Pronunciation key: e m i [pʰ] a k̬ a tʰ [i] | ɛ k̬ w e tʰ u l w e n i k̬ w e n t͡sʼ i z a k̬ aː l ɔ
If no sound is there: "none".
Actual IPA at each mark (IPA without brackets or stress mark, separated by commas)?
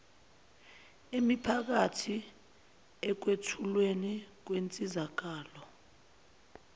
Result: pʰ, i